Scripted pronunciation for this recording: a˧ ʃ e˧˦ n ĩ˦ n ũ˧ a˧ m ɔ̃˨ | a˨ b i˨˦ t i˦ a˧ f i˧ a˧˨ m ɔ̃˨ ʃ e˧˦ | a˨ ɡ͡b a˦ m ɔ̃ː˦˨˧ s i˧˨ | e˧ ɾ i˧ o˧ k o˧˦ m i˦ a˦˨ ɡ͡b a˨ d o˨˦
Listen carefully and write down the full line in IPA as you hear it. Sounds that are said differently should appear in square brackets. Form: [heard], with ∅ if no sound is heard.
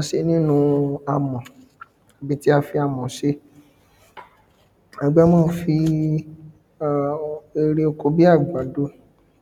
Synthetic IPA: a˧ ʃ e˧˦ n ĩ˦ n ũ˧ a˧ m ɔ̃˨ | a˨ b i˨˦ t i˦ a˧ f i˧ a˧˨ m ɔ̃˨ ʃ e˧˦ | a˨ ɡ͡b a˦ m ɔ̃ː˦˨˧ [f] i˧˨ | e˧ ɾ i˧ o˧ k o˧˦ [b] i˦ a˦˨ ɡ͡b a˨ d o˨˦